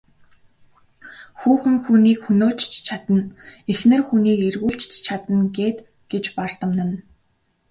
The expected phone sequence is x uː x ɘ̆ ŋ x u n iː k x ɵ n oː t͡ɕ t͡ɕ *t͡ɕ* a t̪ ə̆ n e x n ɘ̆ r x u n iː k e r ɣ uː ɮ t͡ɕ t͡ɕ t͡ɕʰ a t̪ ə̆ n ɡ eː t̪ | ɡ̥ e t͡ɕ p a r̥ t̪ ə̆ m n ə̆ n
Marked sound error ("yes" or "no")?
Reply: yes